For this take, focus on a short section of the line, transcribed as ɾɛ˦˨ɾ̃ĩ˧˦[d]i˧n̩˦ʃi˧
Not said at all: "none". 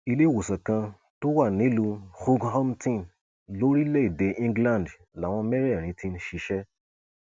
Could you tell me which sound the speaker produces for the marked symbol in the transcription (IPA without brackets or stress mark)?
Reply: t